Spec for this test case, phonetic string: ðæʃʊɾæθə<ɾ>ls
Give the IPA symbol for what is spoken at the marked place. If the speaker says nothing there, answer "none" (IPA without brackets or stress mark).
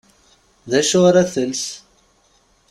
none